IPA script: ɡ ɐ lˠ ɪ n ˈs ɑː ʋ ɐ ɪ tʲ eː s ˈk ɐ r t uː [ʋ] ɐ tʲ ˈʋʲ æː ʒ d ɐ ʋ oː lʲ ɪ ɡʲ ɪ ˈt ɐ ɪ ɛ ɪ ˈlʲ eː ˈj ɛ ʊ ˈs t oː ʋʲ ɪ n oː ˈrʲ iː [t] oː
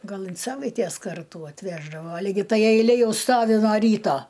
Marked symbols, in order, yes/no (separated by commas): no, yes